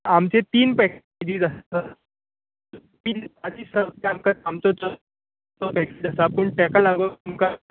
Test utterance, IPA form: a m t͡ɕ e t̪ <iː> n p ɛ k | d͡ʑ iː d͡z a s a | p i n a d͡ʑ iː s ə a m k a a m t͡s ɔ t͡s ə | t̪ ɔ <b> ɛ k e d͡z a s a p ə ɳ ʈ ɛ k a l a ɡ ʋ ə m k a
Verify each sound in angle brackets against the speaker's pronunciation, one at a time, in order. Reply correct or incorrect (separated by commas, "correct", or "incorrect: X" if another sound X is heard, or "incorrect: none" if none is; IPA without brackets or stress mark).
correct, incorrect: p